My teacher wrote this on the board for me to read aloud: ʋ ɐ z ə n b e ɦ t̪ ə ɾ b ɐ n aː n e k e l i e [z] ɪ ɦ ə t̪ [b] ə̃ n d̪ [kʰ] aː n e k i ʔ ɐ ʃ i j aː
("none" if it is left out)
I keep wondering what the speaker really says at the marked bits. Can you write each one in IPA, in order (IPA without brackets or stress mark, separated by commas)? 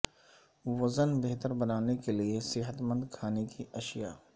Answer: s, m, kʰ